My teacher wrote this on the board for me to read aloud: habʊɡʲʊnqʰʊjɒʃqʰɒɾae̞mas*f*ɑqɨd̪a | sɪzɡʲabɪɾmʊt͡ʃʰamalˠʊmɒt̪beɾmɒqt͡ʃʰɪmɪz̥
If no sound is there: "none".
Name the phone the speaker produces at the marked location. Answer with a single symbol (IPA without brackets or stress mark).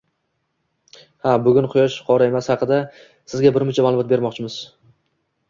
h